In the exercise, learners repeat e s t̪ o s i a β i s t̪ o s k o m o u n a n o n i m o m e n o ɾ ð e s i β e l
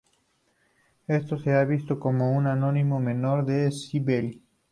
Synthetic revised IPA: e s t̪ o s e a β i s t̪ o k o m o u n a n o n i m o m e n o ɾ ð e s i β e l